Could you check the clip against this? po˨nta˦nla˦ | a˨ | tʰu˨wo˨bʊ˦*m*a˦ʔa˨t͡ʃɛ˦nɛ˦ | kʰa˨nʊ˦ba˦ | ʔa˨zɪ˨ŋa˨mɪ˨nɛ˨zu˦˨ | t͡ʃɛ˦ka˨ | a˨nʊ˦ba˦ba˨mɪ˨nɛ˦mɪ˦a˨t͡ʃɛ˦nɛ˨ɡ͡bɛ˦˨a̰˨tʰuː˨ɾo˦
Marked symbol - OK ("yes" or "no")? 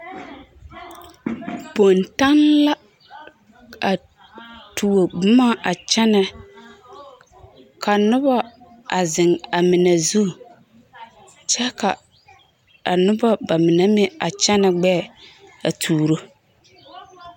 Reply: yes